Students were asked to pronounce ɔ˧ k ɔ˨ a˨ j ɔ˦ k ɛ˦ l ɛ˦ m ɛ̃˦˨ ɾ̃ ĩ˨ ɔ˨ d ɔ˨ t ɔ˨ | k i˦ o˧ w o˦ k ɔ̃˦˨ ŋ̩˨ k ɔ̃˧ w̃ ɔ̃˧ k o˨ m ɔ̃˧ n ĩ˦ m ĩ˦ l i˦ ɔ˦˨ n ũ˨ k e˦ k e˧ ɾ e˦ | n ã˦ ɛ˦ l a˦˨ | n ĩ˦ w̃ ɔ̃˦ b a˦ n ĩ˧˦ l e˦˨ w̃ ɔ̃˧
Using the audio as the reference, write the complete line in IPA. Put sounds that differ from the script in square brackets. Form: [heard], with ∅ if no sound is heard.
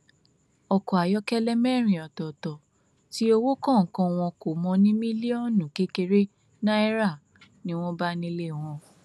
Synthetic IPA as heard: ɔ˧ k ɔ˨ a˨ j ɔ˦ k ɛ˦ l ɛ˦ m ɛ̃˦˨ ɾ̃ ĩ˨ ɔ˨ [t] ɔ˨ t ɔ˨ | [t] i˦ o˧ w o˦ k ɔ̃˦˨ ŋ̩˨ k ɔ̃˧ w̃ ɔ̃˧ k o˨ m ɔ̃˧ n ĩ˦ m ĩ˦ l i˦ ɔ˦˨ n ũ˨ k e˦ k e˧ ɾ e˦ | n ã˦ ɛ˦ [ɾ] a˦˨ | n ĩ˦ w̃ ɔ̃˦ b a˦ n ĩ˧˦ l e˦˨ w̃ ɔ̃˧